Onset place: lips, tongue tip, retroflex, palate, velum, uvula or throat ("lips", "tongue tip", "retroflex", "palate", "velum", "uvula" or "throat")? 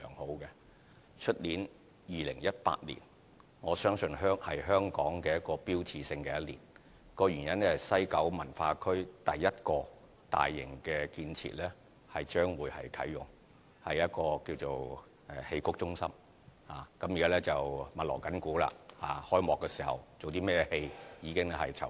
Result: velum